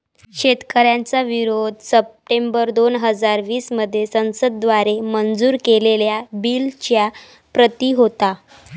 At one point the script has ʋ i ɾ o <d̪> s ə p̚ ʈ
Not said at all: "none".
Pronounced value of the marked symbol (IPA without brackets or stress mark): d̪